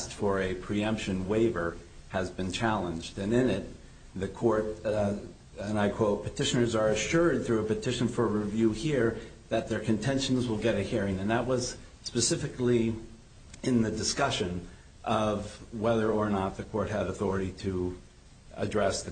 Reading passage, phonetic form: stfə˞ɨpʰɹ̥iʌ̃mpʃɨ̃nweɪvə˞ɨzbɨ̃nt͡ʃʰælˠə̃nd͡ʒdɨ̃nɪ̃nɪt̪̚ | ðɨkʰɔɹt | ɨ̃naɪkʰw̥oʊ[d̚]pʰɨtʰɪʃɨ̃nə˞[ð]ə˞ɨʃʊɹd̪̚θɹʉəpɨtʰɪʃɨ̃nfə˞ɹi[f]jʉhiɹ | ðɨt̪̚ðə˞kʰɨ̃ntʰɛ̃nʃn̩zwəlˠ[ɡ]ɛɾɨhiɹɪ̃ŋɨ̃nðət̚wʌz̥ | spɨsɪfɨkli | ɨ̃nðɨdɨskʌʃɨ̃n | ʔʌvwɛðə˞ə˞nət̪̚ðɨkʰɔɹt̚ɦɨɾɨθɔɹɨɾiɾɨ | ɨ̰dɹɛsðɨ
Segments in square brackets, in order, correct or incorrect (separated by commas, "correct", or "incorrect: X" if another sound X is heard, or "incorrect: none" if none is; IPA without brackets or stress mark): incorrect: t̚, incorrect: z, incorrect: v, correct